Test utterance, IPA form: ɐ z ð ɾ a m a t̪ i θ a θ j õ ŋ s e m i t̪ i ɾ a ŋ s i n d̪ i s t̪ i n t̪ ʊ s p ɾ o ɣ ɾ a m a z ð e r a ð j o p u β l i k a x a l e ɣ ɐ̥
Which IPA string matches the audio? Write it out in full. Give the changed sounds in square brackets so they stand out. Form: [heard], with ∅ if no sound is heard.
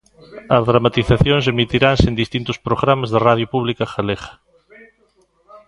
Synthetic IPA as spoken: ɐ z ð ɾ a m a t̪ i θ a θ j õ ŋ s e m i t̪ i ɾ a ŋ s [e] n d̪ i s t̪ i n t̪ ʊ s p ɾ o ɣ ɾ a m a z ð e r a ð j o p u β l i k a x a l e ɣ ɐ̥